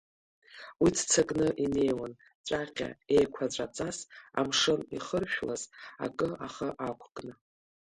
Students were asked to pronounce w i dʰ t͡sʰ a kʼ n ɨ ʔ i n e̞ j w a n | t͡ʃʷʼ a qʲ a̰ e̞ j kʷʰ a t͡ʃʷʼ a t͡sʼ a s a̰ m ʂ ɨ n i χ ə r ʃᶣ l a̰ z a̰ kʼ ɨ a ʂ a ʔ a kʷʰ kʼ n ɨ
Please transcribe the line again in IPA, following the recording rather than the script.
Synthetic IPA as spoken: w i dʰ t͡sʰ a kʼ n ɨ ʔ i n e̞ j w a n | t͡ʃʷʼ a qʲ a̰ e̞ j kʷʰ a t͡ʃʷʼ a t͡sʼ a s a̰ m ʂ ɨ n i χ ə r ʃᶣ l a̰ z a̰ kʼ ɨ a χ a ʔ a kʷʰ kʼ n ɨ

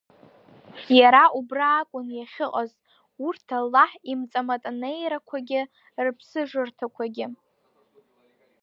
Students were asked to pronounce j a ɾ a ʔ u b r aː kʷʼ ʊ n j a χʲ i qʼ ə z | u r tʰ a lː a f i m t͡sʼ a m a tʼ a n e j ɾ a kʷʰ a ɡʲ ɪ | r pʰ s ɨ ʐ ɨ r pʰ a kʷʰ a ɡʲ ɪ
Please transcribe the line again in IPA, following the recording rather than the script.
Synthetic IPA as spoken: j a ɾ a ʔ u b r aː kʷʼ ʊ n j a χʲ ɪ qʼ a z | u r tʰ a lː a ħ i m t͡sʼ a m a tʼ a n e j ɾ a kʷʰ a ɡʲ ɪ | r pʰ s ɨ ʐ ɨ r tʰ a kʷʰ a ɡʲ ɪ

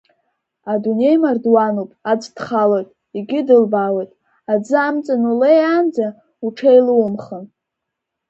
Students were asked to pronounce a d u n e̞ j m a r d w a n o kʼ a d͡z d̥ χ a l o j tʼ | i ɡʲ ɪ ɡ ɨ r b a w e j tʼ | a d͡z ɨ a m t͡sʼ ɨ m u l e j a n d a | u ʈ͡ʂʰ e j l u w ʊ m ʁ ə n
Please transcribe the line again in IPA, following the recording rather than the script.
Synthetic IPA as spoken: a d u n e̞ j m a r d w a n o pʼ a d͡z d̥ χ a l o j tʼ | i ɡʲ ɪ d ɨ l b a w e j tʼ | a d͡z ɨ a m t͡sʼ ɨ n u l e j a n d͡z a | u ʈ͡ʂʰ e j l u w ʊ m χ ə n

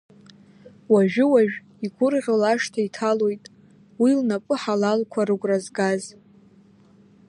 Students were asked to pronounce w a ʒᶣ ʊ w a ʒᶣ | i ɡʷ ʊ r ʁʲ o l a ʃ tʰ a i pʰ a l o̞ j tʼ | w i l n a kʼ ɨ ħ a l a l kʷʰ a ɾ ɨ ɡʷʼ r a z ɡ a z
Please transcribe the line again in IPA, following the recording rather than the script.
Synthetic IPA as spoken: w a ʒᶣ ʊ w a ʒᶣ | i ɡʷ ʊ r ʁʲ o l a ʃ tʰ a i tʰ a l o̞ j tʼ | w i l n a pʼ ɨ ħ a l a l kʷʰ a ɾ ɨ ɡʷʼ r a z ɡ a z

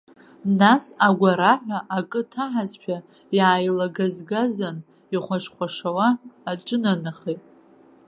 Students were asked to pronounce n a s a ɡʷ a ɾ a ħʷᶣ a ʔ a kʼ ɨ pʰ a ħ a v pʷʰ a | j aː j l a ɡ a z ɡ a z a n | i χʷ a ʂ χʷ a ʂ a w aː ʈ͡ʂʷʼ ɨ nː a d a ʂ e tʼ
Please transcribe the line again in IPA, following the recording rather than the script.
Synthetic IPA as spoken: n a s a ɡʷ a ɾ a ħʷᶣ a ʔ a kʼ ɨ tʰ a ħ a z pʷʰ a | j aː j l a ɡ a z ɡ a z a n | i χʷ a ʂ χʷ a ʂ a w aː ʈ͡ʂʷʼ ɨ n a n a χ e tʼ

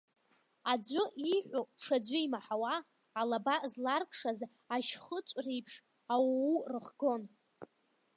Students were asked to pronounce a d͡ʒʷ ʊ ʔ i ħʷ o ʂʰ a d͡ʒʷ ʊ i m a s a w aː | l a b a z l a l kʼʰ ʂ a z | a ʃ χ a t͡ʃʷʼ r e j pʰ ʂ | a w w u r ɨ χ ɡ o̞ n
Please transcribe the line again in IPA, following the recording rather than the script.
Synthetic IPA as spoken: a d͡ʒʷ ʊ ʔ i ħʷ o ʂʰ a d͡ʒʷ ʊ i m a ħ a w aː | l a b a z l a r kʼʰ ʂ a z | a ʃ χ ə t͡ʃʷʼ r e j pʰ ʂ | a w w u r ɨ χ ɡ o̞ n

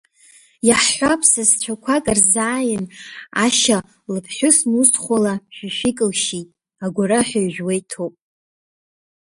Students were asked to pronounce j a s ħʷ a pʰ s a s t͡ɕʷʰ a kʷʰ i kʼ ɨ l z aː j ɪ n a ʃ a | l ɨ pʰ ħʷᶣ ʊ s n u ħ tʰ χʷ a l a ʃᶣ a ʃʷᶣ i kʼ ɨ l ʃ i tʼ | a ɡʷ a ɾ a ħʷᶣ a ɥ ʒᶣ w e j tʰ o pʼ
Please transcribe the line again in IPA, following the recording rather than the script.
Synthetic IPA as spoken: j a ħ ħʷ a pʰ s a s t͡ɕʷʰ a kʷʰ a kʼ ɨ r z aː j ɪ n a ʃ a | l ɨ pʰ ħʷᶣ ʊ s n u s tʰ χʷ a l a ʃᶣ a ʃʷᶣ i kʼ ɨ l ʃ i tʼ | a ɡʷ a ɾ a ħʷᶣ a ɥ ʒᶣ w e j tʰ o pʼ

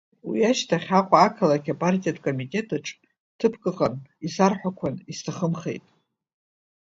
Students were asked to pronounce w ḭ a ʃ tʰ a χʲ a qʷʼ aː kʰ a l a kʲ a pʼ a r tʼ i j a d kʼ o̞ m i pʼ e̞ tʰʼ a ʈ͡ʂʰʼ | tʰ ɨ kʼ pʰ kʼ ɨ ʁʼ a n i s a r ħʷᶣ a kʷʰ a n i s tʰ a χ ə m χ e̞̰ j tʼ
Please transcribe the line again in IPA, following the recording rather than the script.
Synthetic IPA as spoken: w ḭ a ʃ tʰ a χʲ a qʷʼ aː kʰ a l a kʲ a pʼ a r tʼ i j a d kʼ o̞ m i tʼ e̞ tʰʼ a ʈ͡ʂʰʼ | tʰ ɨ pʰ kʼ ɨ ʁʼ a n i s a r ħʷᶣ a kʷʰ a n i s tʰ a χ ə m χ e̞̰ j tʼ

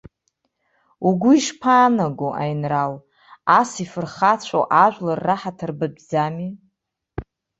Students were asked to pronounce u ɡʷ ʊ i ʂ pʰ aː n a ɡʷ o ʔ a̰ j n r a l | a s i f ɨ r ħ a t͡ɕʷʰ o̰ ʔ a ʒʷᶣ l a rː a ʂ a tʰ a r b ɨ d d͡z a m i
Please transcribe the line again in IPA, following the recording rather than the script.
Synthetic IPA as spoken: u ɡʷ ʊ i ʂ pʰ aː n a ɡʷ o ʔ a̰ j n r a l | a s i f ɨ r χ a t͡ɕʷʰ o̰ ʔ a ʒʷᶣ l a rː a ħ a tʰ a r b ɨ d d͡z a m i

